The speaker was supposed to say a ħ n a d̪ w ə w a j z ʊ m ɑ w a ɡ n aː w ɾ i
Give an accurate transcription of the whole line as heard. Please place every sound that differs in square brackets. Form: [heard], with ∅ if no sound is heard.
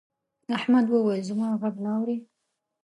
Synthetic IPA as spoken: a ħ [m] a d̪ w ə w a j z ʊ m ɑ [ɣ] a ɡ n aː w ɾ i